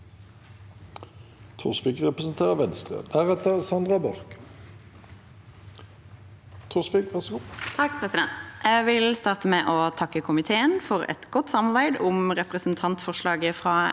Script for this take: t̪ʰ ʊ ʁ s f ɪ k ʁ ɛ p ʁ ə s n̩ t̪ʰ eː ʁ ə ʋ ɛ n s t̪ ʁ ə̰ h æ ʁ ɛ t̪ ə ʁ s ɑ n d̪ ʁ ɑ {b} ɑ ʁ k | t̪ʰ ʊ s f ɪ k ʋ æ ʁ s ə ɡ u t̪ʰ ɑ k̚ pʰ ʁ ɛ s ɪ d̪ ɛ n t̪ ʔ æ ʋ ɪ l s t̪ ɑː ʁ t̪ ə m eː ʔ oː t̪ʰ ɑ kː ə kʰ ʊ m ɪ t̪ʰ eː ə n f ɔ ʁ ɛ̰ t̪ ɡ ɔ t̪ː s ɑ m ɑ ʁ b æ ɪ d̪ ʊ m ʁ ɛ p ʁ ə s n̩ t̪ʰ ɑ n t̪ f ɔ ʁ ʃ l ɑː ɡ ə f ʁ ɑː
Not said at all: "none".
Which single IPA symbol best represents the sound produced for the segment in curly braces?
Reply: b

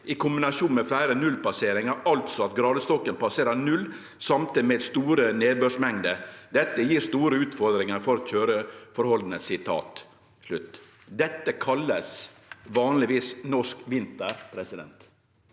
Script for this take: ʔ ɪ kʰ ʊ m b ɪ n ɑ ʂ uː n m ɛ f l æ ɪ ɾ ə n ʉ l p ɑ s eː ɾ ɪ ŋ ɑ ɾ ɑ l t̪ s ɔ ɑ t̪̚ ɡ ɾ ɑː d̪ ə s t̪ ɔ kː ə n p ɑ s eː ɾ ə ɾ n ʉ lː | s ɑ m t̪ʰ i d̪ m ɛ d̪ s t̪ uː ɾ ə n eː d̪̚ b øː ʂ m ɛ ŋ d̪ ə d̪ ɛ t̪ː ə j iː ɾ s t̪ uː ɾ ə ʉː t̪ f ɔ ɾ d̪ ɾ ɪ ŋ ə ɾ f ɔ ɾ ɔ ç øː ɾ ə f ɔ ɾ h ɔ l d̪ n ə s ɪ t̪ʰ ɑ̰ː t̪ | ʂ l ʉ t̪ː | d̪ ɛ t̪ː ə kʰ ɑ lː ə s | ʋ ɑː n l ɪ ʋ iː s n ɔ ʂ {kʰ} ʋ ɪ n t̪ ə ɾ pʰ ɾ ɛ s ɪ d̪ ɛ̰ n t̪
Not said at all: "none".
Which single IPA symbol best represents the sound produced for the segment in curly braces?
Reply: k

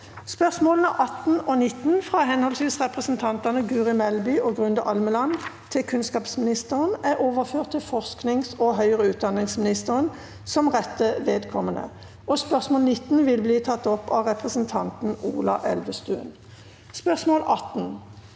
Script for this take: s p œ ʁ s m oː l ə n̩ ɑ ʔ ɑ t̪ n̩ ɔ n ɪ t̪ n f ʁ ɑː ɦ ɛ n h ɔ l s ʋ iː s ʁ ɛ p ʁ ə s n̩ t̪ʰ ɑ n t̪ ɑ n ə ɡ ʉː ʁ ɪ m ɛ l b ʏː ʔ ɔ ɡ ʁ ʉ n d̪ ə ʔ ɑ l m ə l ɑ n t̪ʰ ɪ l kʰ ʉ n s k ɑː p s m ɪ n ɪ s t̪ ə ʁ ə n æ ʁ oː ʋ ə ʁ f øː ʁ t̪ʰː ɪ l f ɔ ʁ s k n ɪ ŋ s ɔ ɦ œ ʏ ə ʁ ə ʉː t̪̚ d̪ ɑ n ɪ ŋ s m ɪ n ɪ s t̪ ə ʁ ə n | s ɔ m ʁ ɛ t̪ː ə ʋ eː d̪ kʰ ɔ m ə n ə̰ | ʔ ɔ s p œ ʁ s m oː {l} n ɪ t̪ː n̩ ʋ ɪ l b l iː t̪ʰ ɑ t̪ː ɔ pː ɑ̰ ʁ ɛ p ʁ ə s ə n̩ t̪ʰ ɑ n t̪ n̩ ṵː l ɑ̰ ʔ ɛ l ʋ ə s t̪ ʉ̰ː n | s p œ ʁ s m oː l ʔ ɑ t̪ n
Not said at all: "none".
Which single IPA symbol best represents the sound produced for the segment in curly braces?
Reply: l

